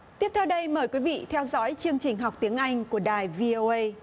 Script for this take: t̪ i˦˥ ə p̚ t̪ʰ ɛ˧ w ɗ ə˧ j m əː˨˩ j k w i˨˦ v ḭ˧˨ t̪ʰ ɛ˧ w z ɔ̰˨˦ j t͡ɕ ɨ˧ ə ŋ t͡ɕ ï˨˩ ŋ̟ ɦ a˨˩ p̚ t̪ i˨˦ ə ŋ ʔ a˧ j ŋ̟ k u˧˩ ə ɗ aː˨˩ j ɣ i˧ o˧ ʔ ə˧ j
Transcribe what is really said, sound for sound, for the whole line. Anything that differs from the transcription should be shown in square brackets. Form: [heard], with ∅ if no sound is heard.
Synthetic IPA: t̪ i˦˥ ə p̚ t̪ʰ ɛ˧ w ɗ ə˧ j m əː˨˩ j k w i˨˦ v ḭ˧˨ t̪ʰ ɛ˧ w z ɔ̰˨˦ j t͡ɕ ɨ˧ ə ŋ t͡ɕ ï˨˩ ŋ̟ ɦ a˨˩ [k͡p̚] t̪ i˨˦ ə ŋ ʔ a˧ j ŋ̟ k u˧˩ ə ɗ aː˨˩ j [v] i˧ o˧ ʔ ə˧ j